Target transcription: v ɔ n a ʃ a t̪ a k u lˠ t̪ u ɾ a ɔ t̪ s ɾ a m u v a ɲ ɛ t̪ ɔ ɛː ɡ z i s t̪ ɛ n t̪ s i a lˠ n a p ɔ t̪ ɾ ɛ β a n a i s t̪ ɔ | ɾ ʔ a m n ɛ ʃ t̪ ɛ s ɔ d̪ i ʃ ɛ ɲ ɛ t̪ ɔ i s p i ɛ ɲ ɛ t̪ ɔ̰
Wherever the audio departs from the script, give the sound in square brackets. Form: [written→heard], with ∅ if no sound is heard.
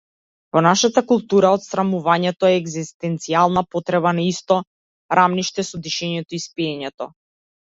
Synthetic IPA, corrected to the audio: v ɔ n a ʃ a t̪ a k u lˠ t̪ u ɾ a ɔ t̪ s ɾ a m u v a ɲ ɛ t̪ ɔ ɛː ɡ z i s t̪ ɛ n t̪ s i a lˠ n a p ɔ t̪ ɾ ɛ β a n a i s t̪ ɔ | ɾ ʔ a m n [ɛ→i] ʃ t̪ ɛ s ɔ d̪ i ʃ ɛ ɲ ɛ t̪ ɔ i s p i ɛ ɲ ɛ t̪ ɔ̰